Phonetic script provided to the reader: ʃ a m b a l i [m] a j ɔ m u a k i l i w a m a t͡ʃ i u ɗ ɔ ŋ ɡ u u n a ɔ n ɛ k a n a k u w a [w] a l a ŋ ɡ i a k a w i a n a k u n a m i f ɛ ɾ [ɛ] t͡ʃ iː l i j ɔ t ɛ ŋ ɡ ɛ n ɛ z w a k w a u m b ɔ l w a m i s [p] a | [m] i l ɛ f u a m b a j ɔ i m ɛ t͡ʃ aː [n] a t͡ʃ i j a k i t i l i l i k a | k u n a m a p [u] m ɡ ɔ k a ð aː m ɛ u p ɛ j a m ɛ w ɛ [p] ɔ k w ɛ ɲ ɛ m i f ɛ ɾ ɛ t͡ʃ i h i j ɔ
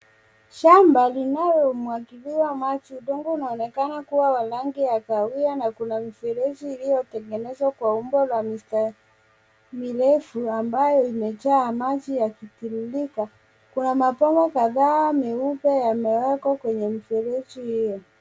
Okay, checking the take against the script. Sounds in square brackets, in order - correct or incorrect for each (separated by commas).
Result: incorrect, correct, correct, incorrect, correct, incorrect, incorrect, incorrect